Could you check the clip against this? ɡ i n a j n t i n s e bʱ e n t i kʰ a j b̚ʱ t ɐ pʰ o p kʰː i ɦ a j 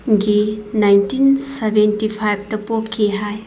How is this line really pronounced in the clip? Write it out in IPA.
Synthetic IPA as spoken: ɡ i n a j n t i n s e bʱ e n t i pʰ a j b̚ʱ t ɐ p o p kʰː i ɦ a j

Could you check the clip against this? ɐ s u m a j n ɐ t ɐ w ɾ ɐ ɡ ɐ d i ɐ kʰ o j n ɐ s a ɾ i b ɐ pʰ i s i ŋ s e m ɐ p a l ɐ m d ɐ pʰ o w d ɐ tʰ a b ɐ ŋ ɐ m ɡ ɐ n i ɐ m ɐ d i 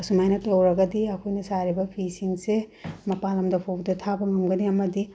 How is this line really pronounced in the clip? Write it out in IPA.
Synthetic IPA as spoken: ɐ s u m a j n ɐ t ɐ w ɾ ɐ ɡ ɐ d i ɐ kʰ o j n ɐ s a ɾ i b ɐ pʰ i s i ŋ s e m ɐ p a l ɐ m d ɐ pʰ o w d ɐ tʰ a b ɐ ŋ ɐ m ɡ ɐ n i ɐ m ɐ d i

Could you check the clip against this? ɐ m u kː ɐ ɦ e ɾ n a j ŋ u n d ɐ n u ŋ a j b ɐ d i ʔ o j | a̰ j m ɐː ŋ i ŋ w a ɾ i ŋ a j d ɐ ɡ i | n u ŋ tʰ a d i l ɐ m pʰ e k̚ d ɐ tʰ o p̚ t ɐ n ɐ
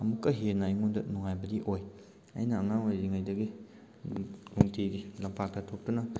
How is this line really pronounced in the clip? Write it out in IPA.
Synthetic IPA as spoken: ɐ m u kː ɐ ɦ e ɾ n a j ŋ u n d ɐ n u ŋ a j b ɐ d i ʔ o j | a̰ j n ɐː ŋ a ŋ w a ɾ i ŋ a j d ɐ ɡ i | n u ŋ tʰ i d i l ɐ m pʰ a k̚ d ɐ tʰ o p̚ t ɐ n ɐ

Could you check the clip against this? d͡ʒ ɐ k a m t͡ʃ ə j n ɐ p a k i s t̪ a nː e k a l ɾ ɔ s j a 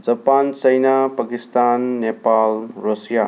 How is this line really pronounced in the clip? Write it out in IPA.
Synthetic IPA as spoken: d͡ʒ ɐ p a n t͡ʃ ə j n a p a k i s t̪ a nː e p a l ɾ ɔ s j a

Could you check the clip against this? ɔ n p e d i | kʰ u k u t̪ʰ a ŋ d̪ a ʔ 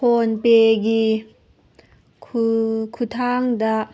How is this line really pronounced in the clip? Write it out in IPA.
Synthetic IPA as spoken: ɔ n p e ɡ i | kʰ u kʰ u t̪ʰ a ŋ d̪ a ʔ

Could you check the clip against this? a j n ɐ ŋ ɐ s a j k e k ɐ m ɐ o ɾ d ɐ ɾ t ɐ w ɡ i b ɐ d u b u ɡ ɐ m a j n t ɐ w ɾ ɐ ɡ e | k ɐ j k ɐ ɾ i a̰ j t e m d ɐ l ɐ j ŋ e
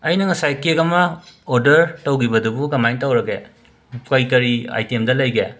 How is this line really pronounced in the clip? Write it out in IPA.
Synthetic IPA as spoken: ɐ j n ɐ ŋ ɐ s a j k e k ɐ m ɐ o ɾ d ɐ ɾ t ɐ w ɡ i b ɐ d u b u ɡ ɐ m a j n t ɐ w ɾ ɐ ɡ e | k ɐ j k ɐ ɾ i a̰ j t e m d ɐ l ɐ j ɡ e

